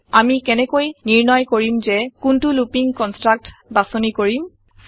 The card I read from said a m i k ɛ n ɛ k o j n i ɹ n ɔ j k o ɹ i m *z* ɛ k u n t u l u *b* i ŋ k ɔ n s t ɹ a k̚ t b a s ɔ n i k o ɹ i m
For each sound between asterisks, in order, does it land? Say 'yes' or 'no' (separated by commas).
yes, no